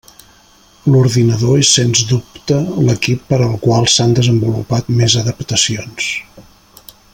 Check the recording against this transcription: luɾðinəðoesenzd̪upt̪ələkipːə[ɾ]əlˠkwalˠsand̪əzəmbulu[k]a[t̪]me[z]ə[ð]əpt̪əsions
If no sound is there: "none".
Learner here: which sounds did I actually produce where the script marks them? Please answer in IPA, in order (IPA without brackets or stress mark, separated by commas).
ɾ, p, t̪, z, ð